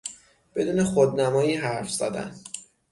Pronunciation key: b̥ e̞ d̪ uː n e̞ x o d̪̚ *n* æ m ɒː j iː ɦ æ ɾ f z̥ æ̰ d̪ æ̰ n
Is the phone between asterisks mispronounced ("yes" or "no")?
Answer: no